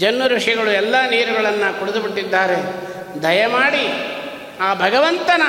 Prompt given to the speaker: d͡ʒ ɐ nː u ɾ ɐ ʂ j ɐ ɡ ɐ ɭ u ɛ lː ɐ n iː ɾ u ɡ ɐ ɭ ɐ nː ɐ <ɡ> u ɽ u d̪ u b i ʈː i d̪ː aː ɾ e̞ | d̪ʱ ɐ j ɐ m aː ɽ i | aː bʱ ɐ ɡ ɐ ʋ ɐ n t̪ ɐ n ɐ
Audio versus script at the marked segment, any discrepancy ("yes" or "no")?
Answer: yes